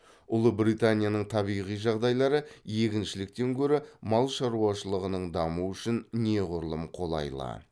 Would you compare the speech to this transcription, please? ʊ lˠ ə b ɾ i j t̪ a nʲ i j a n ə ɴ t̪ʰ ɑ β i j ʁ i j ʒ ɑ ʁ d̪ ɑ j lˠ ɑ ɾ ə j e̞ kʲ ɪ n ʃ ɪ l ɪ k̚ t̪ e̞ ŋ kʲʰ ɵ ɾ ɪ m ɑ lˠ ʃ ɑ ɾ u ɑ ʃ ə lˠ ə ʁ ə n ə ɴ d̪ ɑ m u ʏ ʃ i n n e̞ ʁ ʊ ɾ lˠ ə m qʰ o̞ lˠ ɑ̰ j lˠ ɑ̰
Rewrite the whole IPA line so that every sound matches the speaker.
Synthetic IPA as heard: ʊ lˠ ə b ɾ i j t̪ a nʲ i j a n ə ɴ t̪ʰ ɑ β i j ʁ i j ʒ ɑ ʁ d̪ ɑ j lˠ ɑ ɾ ə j e̞ kʲ ɪ n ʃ ɪ l ɪ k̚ t̪ e̞ ŋ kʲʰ ɵ ɾ ɪ m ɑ lˠ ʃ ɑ ɾ u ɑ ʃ ə lˠ ə ʁ ə n ə ɴ d̪ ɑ m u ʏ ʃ ɪ n n e̞ ʁ ʊ ɾ lˠ ə m qʰ o̞ lˠ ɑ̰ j lˠ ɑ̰